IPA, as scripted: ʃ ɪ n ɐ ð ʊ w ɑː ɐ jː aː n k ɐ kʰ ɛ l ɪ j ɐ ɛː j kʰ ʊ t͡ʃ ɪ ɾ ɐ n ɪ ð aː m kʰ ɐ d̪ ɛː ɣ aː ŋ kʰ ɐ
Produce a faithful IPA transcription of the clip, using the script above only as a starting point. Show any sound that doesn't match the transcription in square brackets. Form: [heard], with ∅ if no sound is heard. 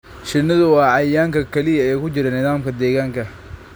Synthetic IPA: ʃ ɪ n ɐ ð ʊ w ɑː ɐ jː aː [ŋ] k ɐ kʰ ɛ l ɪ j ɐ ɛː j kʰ ʊ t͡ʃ ɪ ɾ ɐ n ɪ ð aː m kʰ ɐ d̪ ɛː ɣ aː ŋ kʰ ɐ